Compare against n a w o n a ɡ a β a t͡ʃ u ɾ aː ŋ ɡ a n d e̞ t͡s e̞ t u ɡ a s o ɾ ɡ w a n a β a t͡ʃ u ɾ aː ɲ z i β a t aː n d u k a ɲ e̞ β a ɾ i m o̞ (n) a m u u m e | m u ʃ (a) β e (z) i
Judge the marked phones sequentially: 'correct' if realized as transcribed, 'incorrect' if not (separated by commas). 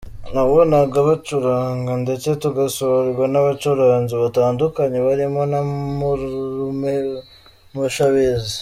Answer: correct, correct, correct